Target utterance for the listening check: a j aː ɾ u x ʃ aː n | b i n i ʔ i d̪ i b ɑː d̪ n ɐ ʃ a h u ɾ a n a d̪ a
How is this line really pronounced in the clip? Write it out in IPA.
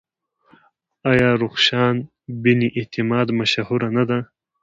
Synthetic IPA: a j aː ɾ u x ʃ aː n | b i n i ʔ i t̪ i m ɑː d̪ m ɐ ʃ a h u ɾ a n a d̪ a